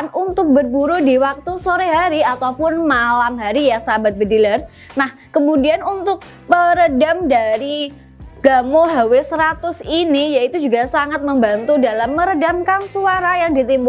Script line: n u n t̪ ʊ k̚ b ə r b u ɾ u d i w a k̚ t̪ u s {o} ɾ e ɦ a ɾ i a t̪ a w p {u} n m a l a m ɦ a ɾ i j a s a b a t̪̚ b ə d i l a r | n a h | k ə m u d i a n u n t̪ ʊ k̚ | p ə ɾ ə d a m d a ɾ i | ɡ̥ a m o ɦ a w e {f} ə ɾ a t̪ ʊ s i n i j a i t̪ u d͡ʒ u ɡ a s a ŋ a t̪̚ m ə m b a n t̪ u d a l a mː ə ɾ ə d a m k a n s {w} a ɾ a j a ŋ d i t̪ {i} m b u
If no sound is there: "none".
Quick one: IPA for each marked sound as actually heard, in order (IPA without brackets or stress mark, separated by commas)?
o, ʊ, s, u, i